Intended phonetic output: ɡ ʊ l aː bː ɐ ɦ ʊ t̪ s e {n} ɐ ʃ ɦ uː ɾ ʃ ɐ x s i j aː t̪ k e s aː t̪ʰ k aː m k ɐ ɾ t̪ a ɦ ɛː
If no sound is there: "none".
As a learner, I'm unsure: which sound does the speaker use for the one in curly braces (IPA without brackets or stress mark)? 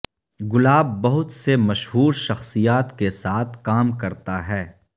m